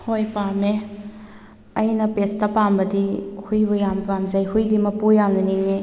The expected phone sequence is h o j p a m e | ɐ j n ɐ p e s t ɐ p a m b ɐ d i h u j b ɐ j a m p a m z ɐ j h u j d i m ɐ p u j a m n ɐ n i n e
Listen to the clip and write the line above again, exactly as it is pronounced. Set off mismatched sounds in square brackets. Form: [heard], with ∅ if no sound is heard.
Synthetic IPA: h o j p a m e | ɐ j n ɐ p e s t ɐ p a m b ɐ d i h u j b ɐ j a m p a m z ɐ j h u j d i m ɐ p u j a m n ɐ n i [ŋ] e